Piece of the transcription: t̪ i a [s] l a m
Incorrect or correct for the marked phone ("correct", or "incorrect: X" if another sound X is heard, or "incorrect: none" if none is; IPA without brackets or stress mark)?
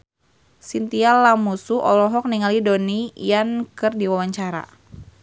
incorrect: none